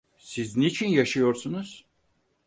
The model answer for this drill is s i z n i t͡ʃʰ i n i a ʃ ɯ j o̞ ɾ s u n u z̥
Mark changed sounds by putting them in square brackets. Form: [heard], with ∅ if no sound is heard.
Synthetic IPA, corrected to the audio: s i z n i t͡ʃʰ i n [j] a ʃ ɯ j o̞ ɾ s u n u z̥